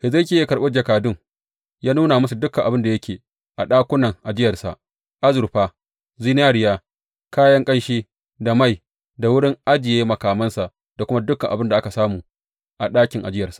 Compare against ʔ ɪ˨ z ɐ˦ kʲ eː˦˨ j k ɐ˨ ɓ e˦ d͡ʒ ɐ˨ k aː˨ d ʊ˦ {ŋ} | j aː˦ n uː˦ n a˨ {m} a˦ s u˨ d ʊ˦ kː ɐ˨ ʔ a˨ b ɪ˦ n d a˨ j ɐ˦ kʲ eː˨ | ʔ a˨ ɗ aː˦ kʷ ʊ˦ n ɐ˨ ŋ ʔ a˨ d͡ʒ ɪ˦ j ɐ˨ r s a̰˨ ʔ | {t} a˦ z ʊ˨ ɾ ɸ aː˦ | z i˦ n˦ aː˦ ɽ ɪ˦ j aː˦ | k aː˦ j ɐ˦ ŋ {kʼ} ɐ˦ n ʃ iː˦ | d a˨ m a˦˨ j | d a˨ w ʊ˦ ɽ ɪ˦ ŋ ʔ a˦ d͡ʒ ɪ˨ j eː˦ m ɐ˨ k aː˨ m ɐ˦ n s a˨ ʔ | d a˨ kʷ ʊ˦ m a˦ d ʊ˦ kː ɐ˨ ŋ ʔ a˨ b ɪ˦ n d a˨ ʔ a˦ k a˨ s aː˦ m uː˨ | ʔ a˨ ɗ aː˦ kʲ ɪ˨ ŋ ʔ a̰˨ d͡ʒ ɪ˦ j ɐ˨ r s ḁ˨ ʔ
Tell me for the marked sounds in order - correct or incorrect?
correct, correct, incorrect: ʔ, correct

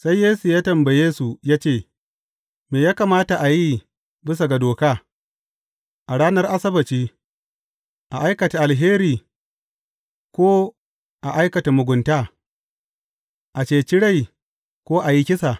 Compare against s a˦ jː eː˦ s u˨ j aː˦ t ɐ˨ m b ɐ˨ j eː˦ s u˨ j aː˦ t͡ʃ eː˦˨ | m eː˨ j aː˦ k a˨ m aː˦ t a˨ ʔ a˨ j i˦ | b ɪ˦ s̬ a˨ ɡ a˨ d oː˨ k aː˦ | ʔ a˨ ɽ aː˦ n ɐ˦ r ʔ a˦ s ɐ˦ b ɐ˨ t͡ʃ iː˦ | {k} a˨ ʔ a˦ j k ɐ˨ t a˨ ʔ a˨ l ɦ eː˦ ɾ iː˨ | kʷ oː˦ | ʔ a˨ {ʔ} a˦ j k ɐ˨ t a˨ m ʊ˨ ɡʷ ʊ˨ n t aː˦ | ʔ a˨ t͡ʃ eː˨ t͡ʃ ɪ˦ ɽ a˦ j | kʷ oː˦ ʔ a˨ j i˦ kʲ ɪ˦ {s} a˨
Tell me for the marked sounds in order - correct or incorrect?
incorrect: ʔ, correct, correct

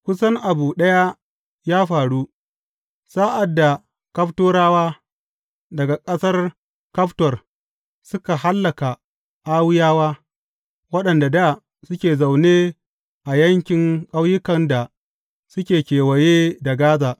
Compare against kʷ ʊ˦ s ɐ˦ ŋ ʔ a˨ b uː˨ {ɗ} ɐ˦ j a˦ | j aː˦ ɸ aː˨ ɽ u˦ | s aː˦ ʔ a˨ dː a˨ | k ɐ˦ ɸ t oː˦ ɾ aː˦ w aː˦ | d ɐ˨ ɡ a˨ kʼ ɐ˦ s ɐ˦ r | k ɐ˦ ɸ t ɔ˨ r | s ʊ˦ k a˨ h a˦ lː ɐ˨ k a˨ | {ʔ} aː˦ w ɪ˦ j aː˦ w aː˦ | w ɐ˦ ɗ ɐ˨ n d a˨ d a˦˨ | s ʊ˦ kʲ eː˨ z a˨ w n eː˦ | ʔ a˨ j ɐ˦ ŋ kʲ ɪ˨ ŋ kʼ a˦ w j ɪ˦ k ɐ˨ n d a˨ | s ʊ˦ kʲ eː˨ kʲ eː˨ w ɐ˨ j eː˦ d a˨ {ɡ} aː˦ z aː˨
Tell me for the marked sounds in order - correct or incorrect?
correct, correct, correct

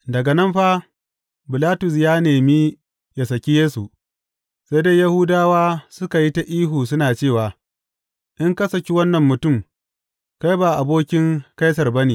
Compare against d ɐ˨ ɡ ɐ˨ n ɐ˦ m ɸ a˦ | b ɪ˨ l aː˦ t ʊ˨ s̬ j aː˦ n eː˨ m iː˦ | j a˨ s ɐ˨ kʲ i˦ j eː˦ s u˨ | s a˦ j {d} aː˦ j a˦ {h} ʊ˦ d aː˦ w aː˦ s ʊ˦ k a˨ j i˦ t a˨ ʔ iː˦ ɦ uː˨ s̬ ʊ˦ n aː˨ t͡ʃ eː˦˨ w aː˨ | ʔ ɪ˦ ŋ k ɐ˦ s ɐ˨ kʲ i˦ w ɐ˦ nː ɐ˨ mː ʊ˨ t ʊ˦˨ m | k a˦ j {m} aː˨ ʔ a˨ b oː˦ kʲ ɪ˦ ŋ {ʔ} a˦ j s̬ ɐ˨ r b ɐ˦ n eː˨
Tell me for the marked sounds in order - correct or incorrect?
correct, correct, incorrect: b, incorrect: k

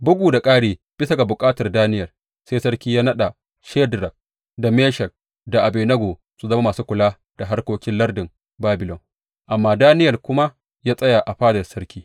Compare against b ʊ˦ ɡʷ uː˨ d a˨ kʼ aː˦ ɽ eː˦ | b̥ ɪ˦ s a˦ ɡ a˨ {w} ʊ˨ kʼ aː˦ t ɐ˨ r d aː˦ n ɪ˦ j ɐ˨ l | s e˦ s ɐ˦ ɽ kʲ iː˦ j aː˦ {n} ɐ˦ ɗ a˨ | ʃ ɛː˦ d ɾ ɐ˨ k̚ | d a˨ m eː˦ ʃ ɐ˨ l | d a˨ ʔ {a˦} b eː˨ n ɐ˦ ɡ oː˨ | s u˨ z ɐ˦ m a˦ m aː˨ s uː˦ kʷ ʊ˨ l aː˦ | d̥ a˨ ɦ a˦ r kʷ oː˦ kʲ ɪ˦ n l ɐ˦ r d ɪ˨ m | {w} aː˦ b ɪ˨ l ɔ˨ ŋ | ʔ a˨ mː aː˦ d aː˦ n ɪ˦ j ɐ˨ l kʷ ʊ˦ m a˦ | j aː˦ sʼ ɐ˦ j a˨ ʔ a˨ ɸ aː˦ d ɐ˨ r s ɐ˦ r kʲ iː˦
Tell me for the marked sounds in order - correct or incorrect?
incorrect: b, correct, incorrect: a˨, incorrect: b

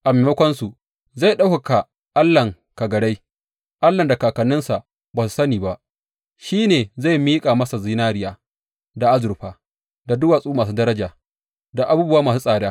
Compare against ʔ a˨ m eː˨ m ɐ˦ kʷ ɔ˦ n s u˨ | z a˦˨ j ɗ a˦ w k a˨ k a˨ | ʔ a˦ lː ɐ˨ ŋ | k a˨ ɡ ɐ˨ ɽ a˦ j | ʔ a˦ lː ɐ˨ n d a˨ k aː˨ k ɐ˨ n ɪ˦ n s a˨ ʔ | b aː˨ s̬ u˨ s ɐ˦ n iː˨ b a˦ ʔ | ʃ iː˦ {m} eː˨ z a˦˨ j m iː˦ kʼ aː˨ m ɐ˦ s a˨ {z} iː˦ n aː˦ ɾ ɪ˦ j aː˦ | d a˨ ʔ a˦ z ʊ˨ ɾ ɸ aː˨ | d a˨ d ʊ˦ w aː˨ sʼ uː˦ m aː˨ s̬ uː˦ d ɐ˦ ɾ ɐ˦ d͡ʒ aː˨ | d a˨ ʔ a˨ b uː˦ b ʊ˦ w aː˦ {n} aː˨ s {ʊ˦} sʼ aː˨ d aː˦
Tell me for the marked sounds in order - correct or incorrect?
incorrect: n, correct, incorrect: m, incorrect: u˦

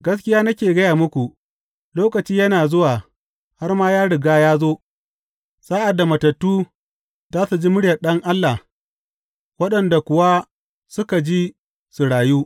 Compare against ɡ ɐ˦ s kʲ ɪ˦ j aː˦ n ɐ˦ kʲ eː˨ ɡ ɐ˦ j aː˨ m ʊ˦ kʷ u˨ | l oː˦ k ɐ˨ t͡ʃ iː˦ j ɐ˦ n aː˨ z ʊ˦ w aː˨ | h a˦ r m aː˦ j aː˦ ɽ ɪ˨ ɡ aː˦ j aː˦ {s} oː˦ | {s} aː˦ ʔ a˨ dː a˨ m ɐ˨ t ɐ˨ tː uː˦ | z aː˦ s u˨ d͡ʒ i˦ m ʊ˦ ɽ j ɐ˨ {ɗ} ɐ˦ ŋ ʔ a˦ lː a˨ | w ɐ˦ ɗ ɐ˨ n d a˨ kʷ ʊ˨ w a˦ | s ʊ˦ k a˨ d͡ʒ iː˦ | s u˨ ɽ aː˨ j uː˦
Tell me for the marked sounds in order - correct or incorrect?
incorrect: z, correct, correct

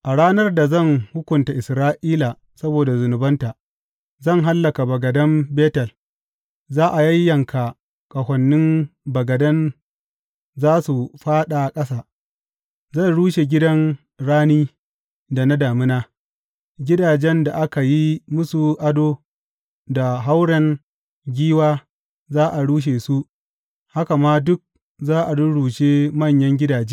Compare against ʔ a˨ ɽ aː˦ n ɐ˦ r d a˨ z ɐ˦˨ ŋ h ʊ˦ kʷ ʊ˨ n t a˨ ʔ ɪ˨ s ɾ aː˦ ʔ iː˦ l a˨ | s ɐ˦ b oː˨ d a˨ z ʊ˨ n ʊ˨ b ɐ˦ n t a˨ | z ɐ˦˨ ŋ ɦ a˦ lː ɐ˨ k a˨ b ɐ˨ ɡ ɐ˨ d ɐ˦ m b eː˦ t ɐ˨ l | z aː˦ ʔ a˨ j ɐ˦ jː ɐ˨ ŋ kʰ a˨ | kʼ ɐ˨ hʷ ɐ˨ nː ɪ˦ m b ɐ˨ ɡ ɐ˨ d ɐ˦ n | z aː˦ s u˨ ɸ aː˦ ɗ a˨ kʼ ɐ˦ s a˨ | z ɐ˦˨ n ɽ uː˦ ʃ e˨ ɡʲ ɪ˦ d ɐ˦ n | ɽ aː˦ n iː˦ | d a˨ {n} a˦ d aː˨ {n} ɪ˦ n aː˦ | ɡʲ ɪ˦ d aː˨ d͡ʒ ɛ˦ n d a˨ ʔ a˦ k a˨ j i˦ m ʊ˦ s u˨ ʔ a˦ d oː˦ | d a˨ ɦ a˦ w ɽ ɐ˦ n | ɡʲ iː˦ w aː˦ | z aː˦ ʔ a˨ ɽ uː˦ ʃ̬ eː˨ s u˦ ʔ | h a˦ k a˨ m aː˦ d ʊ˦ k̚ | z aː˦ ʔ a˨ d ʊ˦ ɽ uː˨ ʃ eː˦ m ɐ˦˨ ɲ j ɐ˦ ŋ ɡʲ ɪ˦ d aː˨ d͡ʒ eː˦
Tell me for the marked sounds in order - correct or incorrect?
correct, incorrect: m

